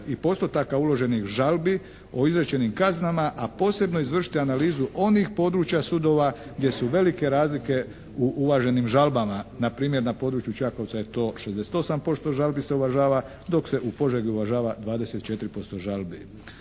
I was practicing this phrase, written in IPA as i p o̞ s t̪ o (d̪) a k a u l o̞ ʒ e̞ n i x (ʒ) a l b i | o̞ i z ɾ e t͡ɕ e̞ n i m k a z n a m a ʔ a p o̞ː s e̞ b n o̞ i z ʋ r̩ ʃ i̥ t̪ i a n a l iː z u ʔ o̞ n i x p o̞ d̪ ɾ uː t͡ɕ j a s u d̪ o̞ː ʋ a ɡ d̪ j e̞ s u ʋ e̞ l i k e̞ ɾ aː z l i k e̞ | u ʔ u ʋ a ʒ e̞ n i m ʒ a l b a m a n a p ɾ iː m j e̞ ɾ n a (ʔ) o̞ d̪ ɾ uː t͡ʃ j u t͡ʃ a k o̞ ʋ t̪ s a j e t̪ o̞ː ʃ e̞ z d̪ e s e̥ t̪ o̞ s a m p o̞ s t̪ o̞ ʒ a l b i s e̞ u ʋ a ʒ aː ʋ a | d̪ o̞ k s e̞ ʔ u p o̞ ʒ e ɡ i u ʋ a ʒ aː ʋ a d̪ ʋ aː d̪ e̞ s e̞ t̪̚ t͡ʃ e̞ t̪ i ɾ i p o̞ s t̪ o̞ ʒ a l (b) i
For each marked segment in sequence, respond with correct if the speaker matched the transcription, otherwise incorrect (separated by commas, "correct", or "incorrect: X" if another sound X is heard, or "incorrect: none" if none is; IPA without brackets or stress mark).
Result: incorrect: t̪, correct, incorrect: p, correct